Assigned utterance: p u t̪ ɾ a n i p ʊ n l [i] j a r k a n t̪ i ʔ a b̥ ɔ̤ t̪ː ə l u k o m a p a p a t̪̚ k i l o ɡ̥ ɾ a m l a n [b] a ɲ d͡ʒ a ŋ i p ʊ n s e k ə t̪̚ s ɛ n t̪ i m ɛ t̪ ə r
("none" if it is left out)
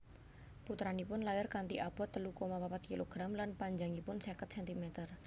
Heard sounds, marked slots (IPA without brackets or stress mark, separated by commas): a, p